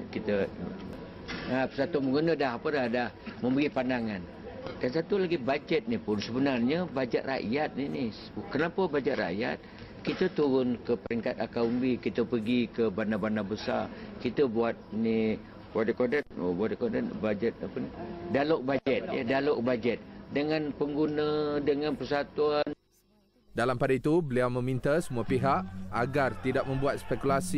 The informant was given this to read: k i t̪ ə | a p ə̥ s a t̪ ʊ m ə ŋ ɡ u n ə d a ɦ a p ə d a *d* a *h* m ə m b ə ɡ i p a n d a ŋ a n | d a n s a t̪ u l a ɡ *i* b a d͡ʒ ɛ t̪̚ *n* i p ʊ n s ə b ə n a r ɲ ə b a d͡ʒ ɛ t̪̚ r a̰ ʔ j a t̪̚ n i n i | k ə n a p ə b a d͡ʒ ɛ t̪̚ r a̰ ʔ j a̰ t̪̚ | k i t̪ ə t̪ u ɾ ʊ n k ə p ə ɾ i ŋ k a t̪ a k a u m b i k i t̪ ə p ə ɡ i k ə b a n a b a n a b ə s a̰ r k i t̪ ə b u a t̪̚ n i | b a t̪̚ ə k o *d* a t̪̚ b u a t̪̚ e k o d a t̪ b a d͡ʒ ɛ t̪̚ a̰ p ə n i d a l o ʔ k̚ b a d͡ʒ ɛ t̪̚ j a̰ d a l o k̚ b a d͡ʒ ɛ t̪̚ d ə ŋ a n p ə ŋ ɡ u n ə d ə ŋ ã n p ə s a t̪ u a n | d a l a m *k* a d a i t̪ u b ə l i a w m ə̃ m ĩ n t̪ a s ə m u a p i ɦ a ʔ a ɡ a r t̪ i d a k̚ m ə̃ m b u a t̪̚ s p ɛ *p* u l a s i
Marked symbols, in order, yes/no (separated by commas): yes, yes, yes, yes, yes, no, no